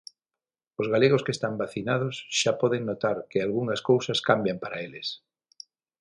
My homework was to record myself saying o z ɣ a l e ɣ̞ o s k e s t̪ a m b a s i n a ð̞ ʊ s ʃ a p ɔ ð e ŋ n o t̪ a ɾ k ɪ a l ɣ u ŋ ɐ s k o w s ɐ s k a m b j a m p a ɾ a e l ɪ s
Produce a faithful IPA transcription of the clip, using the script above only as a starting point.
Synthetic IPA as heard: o z ɣ a l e ɣ̞ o s k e s t̪ a m b a θ i n a ð̞ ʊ s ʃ a p ɔ ð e ŋ n o t̪ a ɾ k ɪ a l ɣ u ŋ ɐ s k o w s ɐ s k a m b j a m p a ɾ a e l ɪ s